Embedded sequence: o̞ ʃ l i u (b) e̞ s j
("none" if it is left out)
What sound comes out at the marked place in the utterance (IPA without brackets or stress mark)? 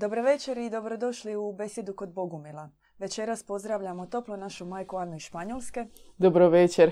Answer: b